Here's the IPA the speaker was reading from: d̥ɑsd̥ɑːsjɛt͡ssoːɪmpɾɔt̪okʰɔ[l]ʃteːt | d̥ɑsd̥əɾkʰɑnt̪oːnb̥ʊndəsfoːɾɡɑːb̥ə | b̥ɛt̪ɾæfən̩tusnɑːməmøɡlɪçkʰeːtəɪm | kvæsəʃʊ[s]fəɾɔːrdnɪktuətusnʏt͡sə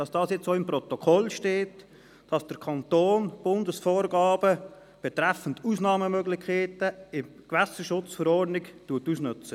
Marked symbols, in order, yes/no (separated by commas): yes, no